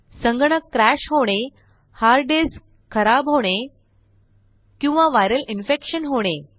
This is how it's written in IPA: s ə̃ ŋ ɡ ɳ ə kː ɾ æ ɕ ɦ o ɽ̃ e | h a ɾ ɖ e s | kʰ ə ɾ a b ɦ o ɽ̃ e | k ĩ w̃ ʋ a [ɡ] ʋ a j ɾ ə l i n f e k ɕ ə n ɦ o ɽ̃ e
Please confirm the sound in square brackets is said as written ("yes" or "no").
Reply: no